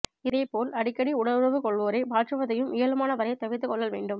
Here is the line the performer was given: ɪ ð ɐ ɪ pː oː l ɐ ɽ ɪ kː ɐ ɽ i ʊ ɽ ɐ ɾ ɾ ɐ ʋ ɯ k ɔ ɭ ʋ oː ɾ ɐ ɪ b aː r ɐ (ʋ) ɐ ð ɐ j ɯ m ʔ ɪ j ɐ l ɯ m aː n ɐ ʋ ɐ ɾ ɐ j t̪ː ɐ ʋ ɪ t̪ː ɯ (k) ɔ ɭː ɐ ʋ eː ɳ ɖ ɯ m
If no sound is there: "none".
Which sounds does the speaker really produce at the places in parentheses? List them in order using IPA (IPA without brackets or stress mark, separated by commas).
ʋ, k